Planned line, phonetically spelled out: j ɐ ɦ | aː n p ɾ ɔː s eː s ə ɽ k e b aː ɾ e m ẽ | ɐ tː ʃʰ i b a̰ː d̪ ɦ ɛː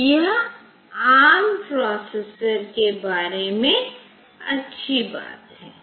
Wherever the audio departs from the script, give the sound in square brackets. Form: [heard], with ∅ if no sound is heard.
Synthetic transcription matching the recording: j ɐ ɦ | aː [m] p ɾ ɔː s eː s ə [ɾ] k e b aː ɾ e m ẽ | ɐ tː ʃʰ i b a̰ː [t̪] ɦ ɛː